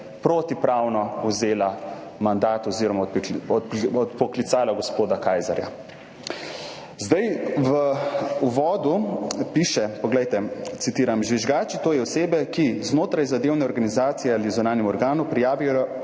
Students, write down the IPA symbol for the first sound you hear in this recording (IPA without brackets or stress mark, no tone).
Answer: p